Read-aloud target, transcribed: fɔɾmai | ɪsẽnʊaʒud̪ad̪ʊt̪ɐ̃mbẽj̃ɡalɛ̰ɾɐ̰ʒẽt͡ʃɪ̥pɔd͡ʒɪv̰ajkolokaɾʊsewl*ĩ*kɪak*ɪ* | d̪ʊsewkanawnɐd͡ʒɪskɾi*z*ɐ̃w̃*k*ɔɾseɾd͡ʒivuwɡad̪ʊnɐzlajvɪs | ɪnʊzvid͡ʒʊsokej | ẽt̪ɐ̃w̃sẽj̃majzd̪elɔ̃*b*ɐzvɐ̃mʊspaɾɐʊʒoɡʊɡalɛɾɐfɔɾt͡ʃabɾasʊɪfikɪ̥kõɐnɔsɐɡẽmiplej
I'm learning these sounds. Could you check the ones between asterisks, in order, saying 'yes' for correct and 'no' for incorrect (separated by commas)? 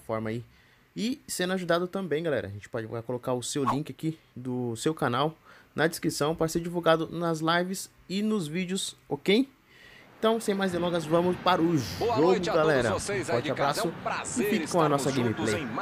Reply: yes, no, no, no, no